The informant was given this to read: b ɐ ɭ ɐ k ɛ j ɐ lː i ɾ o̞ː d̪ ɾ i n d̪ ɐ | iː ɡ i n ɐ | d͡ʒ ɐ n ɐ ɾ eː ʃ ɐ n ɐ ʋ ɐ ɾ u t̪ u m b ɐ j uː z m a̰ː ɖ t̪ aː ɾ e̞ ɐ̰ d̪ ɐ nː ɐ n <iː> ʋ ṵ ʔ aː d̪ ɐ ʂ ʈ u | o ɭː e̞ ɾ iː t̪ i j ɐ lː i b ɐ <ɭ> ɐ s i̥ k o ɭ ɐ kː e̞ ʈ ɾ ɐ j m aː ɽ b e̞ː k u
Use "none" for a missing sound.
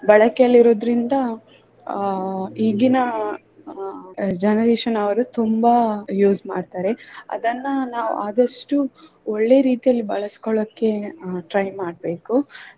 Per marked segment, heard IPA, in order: aː, ɭ

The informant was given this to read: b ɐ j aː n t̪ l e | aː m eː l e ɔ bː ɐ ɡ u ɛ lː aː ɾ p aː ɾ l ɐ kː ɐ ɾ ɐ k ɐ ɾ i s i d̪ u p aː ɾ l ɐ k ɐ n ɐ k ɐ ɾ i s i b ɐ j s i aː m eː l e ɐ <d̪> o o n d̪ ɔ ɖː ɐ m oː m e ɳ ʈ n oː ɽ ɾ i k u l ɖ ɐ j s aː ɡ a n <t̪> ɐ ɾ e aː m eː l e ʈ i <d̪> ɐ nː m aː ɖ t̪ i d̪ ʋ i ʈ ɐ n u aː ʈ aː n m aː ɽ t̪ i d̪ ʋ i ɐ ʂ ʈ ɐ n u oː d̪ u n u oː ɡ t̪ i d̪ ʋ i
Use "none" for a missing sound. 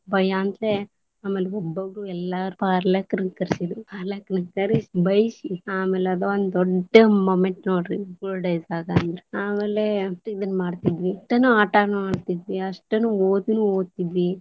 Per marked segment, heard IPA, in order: d̪, d̪, d̪

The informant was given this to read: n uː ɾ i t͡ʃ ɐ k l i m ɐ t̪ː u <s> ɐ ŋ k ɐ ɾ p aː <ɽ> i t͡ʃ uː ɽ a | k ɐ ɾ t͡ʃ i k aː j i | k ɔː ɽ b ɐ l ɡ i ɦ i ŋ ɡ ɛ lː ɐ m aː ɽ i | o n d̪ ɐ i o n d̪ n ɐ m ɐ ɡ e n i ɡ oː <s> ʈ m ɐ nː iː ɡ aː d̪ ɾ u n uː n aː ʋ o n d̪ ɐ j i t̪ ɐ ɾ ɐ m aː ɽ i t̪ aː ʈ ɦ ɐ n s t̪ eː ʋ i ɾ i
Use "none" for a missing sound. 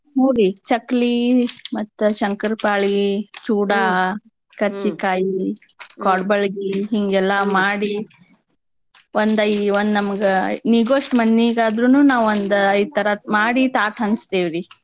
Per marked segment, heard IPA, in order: ʃ, ɭ, ʂ

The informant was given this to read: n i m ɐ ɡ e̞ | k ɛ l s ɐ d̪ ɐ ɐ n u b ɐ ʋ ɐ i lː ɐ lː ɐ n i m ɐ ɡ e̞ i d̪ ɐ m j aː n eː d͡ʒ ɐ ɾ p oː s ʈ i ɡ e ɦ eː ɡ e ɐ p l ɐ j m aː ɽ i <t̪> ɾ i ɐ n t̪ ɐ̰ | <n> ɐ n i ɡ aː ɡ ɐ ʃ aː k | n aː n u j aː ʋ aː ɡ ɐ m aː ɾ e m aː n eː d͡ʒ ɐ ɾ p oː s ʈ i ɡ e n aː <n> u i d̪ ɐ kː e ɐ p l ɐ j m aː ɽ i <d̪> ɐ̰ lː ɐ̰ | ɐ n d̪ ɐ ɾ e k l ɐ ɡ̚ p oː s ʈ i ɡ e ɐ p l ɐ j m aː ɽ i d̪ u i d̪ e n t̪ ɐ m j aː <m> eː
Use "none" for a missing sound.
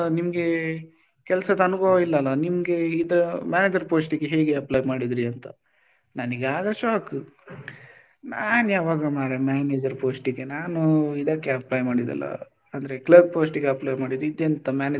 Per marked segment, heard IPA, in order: d̪, n, n, d̪, n

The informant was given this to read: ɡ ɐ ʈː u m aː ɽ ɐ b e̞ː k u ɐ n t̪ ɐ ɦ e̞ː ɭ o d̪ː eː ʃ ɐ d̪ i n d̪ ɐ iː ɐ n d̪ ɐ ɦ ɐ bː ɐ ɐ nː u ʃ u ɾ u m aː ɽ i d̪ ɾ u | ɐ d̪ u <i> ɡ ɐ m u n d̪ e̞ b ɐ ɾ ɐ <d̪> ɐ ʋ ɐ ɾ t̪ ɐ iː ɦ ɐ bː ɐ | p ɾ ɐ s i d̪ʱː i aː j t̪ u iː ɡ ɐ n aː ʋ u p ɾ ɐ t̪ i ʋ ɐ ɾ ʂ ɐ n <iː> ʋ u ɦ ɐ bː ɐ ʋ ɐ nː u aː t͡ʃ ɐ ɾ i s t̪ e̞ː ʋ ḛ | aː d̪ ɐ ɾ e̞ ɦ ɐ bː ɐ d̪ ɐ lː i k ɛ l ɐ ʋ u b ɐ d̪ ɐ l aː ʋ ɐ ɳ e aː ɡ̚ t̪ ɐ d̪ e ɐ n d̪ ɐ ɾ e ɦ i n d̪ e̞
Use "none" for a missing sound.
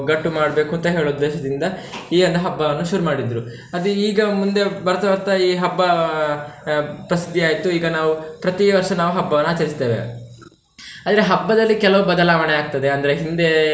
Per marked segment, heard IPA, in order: iː, t̪, aː

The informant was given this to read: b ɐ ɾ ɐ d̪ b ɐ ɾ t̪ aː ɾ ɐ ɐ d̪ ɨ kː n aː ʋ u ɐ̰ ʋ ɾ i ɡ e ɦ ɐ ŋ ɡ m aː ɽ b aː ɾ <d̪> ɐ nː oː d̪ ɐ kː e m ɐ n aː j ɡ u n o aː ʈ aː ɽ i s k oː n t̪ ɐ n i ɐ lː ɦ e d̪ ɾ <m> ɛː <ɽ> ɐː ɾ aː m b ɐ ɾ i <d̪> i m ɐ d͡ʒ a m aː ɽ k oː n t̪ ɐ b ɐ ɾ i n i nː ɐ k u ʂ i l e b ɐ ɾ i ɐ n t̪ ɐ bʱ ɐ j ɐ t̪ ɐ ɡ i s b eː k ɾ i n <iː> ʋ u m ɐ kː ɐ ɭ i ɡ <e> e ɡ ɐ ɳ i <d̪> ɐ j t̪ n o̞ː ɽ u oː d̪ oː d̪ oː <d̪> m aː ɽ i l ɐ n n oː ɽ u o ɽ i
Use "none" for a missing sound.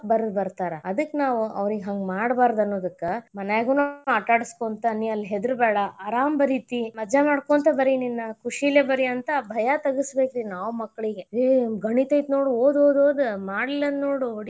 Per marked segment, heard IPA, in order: d̪, b, ɽ, t̪, aː, e, t̪, d̪

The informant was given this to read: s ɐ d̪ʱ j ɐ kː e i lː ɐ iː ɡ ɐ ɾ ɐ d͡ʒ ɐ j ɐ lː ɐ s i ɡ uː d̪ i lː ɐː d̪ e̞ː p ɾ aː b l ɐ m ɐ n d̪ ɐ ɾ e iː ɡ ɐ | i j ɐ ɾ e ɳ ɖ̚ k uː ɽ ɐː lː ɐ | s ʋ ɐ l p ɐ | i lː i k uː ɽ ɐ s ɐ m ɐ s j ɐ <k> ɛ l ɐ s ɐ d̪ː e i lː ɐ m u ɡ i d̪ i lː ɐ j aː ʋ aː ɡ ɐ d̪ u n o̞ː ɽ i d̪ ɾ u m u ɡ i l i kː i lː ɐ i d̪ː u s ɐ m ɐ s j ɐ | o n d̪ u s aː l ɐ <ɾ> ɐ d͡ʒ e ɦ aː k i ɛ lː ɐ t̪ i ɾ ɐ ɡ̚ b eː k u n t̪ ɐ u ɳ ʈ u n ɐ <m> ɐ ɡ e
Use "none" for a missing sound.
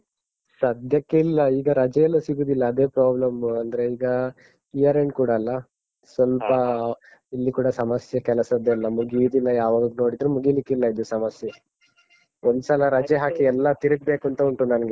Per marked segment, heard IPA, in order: k, ɾ, n

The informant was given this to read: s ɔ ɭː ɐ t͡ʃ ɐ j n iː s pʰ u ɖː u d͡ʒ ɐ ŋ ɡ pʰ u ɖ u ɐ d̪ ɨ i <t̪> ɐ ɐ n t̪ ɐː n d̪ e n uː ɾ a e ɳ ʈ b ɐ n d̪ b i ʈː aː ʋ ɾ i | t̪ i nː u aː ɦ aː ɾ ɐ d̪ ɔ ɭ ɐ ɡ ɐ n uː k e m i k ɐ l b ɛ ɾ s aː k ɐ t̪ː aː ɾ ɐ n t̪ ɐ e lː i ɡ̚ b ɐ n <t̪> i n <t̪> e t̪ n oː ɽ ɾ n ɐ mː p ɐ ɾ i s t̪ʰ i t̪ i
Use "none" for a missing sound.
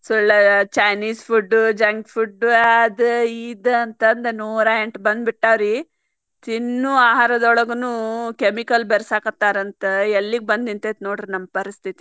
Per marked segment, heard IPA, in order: d̪, d̪, t̪

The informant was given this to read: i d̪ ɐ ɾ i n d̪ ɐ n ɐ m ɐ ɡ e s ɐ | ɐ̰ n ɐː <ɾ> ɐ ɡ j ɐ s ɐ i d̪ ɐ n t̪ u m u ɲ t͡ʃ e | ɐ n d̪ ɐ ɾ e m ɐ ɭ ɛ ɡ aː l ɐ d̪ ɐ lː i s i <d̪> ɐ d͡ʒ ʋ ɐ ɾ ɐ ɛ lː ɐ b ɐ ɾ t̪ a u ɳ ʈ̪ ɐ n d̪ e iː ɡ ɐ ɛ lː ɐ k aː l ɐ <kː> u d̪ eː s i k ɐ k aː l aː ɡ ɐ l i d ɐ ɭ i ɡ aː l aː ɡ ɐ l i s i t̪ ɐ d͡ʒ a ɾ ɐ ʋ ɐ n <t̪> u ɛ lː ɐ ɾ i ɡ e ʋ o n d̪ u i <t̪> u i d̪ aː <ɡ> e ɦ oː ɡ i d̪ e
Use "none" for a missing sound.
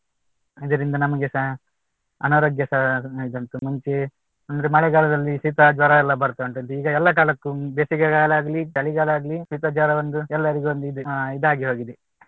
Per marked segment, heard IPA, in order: ɾ, t̪, kː, d̪, d̪, ɡ

